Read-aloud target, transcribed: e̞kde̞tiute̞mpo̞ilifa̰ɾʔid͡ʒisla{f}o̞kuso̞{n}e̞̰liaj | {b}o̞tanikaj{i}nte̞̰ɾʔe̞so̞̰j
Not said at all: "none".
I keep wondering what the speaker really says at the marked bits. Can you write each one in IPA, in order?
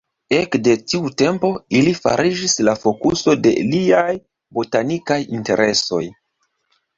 f, d, b, i

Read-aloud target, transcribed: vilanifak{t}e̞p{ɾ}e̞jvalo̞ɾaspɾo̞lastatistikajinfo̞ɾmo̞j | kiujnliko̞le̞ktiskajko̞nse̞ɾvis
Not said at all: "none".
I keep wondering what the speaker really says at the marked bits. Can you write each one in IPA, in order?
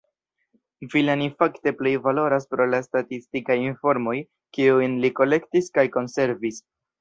t, l

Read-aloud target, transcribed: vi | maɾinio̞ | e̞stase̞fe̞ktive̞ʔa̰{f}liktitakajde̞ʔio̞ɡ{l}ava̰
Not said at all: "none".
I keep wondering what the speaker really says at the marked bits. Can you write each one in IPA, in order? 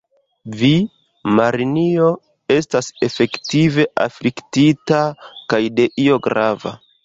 f, ɾ

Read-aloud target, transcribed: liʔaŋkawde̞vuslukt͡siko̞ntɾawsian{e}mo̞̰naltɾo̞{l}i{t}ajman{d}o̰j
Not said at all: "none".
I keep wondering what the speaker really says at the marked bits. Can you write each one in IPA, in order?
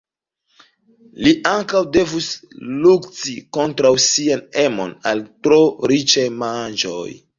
e, ɾ, t͡ʃ, d͡ʒ

